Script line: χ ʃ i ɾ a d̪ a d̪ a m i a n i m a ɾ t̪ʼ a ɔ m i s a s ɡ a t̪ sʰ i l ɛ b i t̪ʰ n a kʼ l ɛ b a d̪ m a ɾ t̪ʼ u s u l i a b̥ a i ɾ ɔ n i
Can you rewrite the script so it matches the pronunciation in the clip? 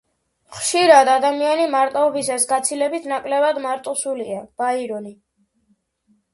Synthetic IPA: χ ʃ i ɾ a d̪ a d̪ a m i a n i m a ɾ t̪ʼ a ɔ b i s a s ɡ a t̪ sʰ i l ɛ b i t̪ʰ n a kʼ l ɛ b a d̪ m a ɾ t̪ʼ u s u l i a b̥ a i ɾ ɔ n i

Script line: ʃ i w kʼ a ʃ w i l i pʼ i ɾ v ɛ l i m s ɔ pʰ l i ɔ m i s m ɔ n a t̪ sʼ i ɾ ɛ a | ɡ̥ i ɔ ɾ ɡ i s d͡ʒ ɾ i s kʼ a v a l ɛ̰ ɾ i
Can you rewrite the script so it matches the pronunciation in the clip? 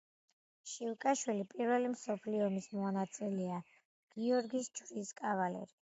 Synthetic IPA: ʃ i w kʼ a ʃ w i l i pʼ i ɾ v ɛ l i m s ɔ pʰ l i ɔ m i s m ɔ n a t̪ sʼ i l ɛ a | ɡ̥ i ɔ ɾ ɡ i s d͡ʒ ɾ i s kʼ a v a l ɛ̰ ɾ i

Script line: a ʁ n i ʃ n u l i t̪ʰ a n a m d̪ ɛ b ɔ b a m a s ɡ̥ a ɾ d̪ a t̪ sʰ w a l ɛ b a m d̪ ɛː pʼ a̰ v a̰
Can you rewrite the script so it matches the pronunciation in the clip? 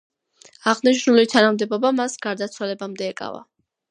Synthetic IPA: a ʁ n i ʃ n u l i t̪ʰ a n a m d̪ ɛ b ɔ b a m a s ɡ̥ a ɾ d̪ a t̪ sʰ w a l ɛ b a m d̪ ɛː kʼ a̰ v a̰

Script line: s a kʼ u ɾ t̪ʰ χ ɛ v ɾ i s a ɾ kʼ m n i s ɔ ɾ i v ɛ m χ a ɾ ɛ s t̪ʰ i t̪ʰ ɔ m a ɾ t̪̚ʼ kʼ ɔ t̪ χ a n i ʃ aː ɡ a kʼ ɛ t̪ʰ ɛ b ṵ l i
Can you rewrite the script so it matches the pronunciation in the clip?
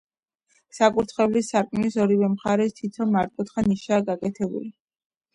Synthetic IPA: s a kʼ u ɾ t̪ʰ χ ɛ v l i s a ɾ kʼ m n i s ɔ ɾ i v ɛ m χ a ɾ ɛ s t̪ʰ i t̪ʰ ɔ m a ɾ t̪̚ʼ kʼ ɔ t̪ χ a n i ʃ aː ɡ a kʼ ɛ t̪ʰ ɛ b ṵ l i

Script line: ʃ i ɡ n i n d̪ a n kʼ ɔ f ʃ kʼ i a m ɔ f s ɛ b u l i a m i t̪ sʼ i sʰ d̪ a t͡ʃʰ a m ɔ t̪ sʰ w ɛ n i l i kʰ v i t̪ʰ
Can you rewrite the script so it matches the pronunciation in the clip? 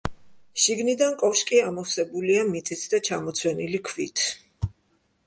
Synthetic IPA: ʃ i ɡ n i d̪ a n kʼ ɔ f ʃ kʼ i a m ɔ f s ɛ b u l i a m i t̪ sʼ i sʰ d̪ a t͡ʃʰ a m ɔ t̪ sʰ w ɛ n i l i kʰ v i t̪ʰ

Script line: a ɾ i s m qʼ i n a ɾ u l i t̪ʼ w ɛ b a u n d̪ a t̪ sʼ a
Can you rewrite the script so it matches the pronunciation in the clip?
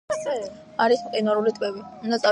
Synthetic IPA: a ɾ i s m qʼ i n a ɾ u l i t̪ʼ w ɛ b i u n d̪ a t̪ sʼ a

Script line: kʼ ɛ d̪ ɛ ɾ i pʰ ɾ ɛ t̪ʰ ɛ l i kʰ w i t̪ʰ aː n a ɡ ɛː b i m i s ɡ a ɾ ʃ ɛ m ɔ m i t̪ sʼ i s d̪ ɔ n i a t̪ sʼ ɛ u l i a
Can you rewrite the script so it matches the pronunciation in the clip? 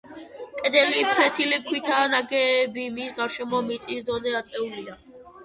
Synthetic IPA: kʼ ɛ d̪ ɛ l i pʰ ɾ ɛ t̪ʰ i l i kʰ w i t̪ʰ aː n a ɡ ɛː b i m i s ɡ a ɾ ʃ ɛ m ɔ m i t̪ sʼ i s d̪ ɔ n ɛ a t̪ sʼ ɛ u l i a

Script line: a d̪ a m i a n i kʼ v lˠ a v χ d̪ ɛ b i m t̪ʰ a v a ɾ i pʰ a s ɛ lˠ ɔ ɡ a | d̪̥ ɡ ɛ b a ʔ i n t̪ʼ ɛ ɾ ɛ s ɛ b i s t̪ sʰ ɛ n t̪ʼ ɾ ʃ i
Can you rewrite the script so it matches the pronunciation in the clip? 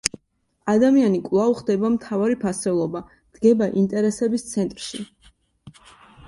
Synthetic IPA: a d̪ a m i a n i kʼ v lˠ a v χ d̪ ɛ b a m t̪ʰ a v a ɾ i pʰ a s ɛ lˠ ɔ b a | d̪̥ ɡ ɛ b a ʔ i n t̪ʼ ɛ ɾ ɛ s ɛ b i s t̪ sʰ ɛ n t̪ʼ ɾ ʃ i

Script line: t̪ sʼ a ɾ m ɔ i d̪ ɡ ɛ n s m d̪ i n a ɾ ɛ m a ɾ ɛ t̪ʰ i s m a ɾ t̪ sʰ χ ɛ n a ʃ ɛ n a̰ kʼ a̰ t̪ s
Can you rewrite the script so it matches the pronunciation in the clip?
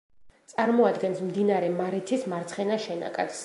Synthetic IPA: t̪ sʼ a ɾ m ɔ a d̪ ɡ ɛ n s m d̪ i n a ɾ ɛ m a ɾ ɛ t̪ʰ i s m a ɾ t̪ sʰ χ ɛ n a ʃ ɛ n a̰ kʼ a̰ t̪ s

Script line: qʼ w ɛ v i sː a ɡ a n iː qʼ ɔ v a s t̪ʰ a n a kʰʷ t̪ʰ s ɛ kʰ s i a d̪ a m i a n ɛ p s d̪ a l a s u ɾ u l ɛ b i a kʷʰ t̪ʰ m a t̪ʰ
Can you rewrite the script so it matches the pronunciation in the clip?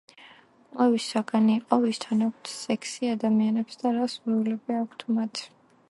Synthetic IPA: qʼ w ɛ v i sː a ɡ a n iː qʼ ɔ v i s t̪ʰ a n a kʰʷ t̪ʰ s ɛ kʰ s i a d̪ a m i a n ɛ p s d̪ a ɾ a s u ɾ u l ɛ b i a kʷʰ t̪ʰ m a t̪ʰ

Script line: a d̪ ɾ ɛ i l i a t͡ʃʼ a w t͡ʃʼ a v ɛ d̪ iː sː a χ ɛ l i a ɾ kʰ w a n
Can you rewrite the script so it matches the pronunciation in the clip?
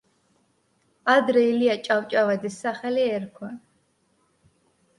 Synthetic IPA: a d̪ ɾ ɛ i l i a t͡ʃʼ a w t͡ʃʼ a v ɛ d̪ i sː a χ ɛ l i ɛ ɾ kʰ w a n

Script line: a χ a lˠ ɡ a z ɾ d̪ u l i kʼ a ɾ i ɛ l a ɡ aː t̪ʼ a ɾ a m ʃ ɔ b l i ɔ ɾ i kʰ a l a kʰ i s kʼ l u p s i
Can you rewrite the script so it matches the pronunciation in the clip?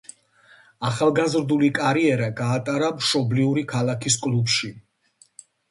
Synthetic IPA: a χ a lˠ ɡ a z ɾ d̪ u l i kʼ a ɾ i ɛ ɾ a ɡ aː t̪ʼ a ɾ a m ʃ ɔ b l i u ɾ i kʰ a l a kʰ i s kʼ l u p ʃ i

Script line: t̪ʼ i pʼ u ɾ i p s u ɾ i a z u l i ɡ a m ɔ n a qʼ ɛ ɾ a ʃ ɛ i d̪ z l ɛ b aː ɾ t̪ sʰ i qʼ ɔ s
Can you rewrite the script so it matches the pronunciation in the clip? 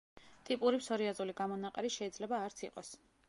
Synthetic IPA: t̪ʼ i pʼ u ɾ i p s ɔ ɾ i a z u l i ɡ a m ɔ n a qʼ ɛ ɾ i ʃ ɛ i d̪ z l ɛ b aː ɾ t̪ sʰ i qʼ ɔ s

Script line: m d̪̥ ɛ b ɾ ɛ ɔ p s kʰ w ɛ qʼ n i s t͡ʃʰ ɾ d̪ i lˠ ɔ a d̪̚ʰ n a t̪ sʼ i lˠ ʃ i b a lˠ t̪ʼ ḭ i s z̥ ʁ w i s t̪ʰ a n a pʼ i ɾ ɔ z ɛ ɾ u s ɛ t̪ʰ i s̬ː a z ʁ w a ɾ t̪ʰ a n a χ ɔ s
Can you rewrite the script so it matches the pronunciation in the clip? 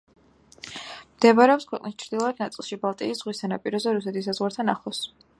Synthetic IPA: m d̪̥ ɛ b ɾ ɛ ɔ p s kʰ w ɛ qʼ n i s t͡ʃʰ ɾ d̪ i lˠ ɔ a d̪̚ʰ n a t̪ sʼ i lˠ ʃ i b a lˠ t̪ʼ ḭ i s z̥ ʁ w i s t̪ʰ a n a pʼ i ɾ ɔ z ɛ ɾ u s ɛ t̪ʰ i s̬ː a z ʁ w a ɾ t̪ʰ a n a χ ɔ s

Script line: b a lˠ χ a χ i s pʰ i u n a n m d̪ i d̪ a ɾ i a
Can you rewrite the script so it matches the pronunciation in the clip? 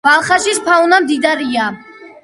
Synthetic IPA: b a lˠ χ a ʃ i s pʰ a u n a m d̪ i d̪ a ɾ i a

